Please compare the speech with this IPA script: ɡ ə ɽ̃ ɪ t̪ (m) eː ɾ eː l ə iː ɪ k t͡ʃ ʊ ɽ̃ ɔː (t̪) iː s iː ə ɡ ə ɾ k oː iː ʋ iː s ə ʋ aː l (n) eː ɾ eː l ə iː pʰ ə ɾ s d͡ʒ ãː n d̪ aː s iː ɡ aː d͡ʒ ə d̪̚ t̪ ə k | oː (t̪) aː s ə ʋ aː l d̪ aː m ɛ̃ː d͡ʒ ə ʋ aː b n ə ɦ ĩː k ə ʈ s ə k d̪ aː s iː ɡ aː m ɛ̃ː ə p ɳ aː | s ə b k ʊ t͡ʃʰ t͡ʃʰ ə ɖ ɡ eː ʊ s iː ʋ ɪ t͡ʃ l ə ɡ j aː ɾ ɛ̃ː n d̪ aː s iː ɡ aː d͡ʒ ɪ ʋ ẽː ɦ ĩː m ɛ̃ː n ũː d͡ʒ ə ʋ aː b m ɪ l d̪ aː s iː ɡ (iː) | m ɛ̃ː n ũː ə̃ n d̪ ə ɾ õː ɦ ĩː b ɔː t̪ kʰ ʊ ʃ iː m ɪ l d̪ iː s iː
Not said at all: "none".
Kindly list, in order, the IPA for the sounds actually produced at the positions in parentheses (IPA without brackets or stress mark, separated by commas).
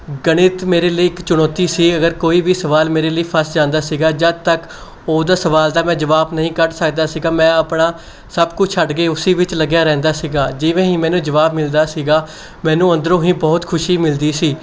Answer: m, t̪, m, d̪, aː